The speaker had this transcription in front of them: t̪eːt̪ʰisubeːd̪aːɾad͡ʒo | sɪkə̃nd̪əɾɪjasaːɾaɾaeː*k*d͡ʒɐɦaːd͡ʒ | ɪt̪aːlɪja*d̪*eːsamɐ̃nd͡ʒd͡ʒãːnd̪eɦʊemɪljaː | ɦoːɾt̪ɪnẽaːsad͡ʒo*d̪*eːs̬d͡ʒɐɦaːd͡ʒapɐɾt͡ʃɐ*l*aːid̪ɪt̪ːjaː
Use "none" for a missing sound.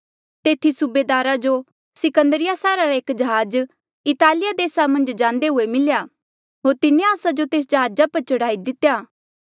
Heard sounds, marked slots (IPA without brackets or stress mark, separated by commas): k, d̪, t̪, ɽ